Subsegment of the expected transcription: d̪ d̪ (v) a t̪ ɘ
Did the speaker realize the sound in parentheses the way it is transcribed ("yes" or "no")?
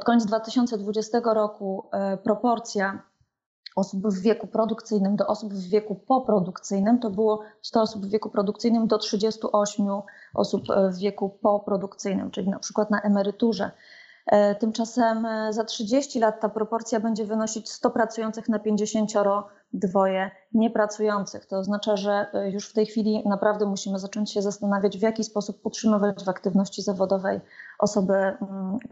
yes